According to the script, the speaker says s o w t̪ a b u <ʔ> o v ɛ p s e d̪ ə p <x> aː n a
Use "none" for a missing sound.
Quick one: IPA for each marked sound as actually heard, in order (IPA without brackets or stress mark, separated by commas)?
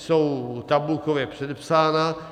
k, s